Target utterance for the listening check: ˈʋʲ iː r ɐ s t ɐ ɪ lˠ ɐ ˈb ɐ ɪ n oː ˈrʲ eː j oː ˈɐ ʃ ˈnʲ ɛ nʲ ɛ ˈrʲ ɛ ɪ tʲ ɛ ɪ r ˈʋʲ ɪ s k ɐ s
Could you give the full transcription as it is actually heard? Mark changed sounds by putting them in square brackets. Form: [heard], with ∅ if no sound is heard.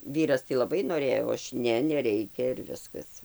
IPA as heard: ˈʋʲ iː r ɐ s t ɐ ɪ lˠ ɐ ˈb ɐ ɪ n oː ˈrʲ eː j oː ˈɐ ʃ ˈnʲ ɛ nʲ ɛ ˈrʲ ɛ ɪ [kʲ] ɛ ɪ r ˈʋʲ ɪ s k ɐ s